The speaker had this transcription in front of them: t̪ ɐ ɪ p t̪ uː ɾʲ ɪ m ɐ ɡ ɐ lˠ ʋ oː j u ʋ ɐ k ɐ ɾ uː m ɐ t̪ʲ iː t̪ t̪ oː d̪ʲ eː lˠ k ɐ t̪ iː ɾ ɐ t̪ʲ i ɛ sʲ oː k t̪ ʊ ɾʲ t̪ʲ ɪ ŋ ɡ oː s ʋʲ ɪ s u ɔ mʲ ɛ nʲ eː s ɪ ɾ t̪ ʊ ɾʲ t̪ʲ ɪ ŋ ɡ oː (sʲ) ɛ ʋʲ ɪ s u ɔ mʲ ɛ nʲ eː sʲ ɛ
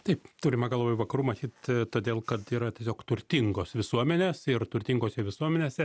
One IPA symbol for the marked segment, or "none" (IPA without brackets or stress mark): sʲ